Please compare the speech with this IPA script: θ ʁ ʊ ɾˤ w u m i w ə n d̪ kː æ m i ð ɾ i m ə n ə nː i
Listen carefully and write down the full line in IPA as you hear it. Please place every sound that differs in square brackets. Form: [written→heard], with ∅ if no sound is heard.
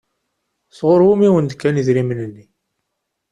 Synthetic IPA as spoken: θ ʁ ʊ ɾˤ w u m i w ə n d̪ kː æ [m→n] i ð ɾ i m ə n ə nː i